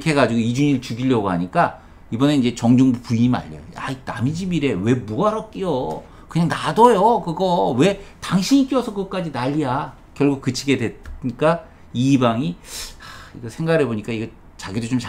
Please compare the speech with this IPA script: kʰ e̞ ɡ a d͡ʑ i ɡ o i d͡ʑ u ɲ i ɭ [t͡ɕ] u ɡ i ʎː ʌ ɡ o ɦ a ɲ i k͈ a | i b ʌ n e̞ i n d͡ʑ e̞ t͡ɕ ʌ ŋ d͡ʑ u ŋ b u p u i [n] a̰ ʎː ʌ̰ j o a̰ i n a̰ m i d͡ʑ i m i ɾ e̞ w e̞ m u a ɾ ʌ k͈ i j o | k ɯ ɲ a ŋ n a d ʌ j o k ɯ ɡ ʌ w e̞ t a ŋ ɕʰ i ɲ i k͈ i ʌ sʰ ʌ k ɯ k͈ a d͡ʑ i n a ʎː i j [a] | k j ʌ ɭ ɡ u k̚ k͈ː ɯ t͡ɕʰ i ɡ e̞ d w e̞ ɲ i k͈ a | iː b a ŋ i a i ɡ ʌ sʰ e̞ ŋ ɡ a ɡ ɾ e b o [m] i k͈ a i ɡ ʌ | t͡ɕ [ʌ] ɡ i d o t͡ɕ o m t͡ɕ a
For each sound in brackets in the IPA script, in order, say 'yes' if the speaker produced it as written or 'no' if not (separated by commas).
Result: yes, no, yes, no, no